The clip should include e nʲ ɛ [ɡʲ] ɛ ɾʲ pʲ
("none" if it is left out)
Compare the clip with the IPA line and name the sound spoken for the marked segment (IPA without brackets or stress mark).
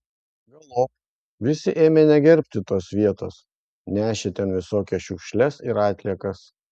ɡʲ